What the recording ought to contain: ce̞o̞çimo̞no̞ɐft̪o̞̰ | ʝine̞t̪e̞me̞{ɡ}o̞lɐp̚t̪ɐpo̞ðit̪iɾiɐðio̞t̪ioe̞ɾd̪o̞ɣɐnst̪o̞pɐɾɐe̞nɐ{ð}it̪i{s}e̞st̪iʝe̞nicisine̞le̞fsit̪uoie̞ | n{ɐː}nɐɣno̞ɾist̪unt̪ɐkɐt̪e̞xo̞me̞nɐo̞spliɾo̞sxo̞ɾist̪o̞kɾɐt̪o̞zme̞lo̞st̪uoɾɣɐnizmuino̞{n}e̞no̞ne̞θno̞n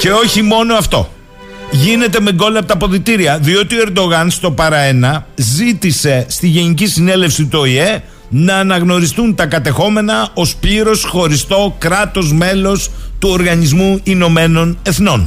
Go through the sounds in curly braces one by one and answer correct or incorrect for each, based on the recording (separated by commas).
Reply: correct, incorrect, correct, correct, incorrect